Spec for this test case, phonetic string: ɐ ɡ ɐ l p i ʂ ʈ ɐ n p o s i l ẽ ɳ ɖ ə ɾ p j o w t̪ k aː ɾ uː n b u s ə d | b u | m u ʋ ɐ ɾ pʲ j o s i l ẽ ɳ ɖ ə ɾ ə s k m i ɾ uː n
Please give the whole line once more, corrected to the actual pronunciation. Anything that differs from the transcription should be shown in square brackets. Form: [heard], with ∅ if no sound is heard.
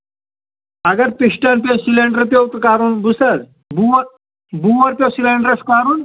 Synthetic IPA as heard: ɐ ɡ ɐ [ɾ] p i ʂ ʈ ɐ n p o s i l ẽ ɳ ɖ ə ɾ p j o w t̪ k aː ɾ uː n b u s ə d | b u | [b] u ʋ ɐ ɾ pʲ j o s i l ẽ ɳ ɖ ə ɾ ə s k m [a] ɾ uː n